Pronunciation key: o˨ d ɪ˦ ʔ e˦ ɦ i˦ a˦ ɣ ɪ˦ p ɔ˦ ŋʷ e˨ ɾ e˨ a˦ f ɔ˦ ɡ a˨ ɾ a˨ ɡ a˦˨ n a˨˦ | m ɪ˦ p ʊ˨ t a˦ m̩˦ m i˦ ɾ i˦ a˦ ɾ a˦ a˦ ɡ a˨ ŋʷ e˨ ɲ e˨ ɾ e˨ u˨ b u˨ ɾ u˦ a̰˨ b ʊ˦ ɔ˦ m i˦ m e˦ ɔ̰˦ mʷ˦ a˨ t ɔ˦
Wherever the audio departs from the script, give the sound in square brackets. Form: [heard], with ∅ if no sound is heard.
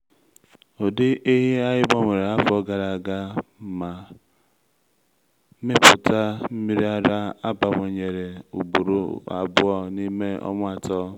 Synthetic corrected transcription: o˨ d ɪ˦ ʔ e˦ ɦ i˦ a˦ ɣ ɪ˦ [b] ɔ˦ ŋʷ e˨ ɾ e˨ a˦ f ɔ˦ ɡ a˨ ɾ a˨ ɡ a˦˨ [m] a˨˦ | m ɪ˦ p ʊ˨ t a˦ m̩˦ m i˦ ɾ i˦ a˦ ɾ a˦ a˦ [b] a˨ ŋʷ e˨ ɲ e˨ ɾ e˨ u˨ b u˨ ɾ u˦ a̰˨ b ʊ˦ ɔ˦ [n] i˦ m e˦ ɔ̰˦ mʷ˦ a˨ t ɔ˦